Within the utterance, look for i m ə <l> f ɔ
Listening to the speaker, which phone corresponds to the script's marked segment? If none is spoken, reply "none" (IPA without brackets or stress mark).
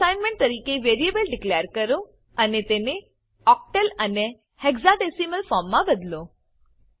l